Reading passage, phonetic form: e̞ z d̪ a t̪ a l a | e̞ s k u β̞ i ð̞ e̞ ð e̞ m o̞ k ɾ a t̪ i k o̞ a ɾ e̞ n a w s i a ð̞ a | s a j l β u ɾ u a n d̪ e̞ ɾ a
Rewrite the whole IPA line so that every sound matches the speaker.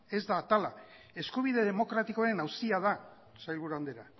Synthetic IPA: e̞ z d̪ a t̪ a l a | e̞ s k u β̞ i ð̞ e̞ ð e̞ m o̞ k ɾ a t̪ i k o̞ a ɾ e̞ n a w s i a ð̞ a | s a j l β u ɾ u a n d̪ e̞ ɾ a